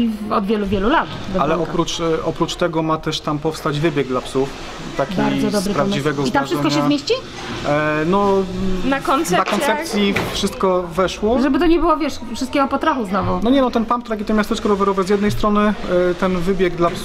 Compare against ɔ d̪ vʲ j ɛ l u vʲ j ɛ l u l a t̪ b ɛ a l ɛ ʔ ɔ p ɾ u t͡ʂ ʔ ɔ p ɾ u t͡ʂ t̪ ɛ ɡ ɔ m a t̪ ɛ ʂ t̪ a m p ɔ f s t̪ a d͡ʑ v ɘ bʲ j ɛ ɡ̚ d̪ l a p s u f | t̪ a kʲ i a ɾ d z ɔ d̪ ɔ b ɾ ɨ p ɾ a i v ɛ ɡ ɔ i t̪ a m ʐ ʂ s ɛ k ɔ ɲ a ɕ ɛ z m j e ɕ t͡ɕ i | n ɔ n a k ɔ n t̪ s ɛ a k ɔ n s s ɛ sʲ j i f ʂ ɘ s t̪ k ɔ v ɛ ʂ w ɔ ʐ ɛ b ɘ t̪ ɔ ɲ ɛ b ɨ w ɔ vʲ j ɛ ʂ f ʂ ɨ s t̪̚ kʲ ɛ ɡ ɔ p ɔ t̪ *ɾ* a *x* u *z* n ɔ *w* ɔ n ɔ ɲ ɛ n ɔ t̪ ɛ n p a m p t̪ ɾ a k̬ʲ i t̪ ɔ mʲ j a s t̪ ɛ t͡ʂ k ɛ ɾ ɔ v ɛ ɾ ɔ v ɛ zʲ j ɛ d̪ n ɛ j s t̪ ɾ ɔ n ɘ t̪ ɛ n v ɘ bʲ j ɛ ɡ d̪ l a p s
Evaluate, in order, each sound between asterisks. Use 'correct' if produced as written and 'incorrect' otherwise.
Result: correct, correct, correct, incorrect

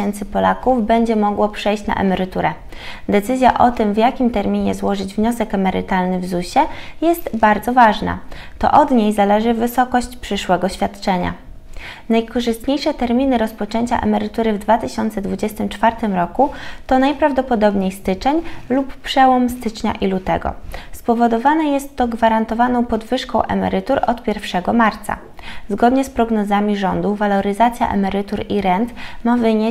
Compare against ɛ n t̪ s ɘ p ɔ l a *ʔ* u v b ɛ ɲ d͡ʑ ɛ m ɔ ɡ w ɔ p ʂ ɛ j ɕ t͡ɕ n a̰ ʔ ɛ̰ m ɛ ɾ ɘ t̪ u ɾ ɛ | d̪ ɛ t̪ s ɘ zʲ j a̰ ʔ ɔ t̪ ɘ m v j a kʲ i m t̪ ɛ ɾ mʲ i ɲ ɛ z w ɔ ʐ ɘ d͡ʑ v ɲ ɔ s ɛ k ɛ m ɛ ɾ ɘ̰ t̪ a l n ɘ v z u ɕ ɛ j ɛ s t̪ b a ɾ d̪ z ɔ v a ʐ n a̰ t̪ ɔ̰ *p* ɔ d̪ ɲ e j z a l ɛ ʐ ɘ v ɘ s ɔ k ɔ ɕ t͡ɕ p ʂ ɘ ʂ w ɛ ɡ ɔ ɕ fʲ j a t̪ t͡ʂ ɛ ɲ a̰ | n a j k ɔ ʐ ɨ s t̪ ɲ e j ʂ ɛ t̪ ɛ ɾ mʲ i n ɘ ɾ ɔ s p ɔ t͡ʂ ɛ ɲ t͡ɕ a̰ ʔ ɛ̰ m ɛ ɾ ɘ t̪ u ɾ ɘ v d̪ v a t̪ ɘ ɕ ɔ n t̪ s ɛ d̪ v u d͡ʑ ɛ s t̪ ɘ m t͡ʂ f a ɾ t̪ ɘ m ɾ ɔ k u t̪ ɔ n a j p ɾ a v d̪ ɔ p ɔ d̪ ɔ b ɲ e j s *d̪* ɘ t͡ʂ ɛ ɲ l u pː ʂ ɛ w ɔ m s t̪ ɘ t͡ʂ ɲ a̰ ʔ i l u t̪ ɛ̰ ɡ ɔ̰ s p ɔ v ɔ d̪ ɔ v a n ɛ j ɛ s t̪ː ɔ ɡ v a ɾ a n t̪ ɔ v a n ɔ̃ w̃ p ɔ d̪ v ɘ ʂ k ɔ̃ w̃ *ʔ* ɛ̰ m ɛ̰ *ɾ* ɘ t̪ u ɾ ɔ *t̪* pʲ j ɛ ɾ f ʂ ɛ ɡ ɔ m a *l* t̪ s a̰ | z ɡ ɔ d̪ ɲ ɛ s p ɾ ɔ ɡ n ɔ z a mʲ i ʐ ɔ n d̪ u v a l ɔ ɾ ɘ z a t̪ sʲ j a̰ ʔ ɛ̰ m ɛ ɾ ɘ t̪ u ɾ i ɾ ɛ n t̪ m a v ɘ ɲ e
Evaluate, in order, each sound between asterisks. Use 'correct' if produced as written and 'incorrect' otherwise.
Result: incorrect, incorrect, incorrect, correct, correct, correct, incorrect

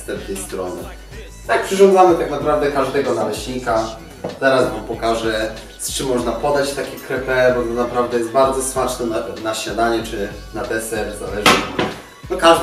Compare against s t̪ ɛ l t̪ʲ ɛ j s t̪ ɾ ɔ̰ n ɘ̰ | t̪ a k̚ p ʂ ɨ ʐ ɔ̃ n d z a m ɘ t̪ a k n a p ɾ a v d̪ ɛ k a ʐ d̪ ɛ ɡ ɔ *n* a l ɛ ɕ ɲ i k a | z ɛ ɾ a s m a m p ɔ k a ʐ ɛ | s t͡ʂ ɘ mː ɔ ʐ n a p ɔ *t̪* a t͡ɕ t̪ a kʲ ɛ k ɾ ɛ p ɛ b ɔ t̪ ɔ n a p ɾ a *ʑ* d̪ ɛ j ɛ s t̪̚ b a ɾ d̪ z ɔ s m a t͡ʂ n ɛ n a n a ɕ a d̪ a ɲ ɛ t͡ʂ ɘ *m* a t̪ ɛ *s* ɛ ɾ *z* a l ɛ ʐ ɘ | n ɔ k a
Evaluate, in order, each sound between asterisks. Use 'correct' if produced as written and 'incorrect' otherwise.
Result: correct, incorrect, incorrect, incorrect, correct, correct

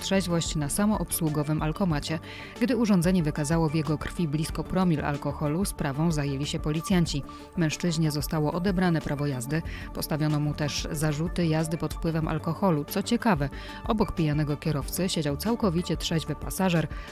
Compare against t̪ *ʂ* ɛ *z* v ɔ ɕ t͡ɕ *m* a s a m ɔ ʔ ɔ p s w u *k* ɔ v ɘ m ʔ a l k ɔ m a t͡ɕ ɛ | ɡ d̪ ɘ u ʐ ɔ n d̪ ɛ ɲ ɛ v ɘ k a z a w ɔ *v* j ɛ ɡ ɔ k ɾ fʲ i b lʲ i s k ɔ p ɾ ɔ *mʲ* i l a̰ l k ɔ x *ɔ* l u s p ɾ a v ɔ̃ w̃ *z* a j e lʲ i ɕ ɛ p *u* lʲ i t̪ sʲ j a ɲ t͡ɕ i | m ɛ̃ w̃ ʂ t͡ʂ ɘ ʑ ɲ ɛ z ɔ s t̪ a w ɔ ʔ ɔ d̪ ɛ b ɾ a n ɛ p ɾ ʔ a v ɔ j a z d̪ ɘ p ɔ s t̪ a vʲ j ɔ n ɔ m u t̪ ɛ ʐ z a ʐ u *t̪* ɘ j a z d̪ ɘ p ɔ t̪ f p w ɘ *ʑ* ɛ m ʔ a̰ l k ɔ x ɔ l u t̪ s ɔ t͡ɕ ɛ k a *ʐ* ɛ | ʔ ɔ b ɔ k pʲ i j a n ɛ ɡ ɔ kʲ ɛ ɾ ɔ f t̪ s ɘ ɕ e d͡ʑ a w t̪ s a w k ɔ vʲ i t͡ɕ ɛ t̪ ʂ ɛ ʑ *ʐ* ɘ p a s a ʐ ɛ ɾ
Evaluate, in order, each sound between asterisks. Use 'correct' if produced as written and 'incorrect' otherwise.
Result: correct, incorrect, incorrect, incorrect, correct, correct, correct, correct, incorrect, correct, incorrect, incorrect, incorrect

